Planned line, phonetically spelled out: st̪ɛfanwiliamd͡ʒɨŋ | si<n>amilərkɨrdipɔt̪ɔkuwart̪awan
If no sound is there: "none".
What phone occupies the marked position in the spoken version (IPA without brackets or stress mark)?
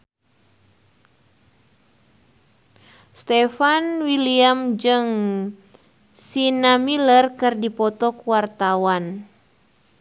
n